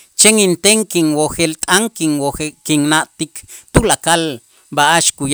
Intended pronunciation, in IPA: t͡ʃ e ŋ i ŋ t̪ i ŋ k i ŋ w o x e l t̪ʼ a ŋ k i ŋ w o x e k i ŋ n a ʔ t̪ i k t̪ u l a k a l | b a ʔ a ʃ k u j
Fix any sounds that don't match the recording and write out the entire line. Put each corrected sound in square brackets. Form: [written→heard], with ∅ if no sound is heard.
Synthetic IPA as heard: t͡ʃ e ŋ i [ŋ→n] t̪ [i→e] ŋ k i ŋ w o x e l t̪ʼ a ŋ k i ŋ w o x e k i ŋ n a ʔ t̪ i k t̪ u l a k a l | b a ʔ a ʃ k u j

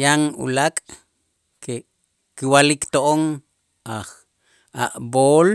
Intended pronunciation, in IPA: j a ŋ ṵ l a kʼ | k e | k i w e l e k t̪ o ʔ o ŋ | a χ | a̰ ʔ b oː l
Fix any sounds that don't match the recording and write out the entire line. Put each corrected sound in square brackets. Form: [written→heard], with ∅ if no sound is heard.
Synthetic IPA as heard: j a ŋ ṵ l a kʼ | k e | k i w [e→a] l [e→i] k t̪ o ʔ o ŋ | a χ | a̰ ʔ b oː l

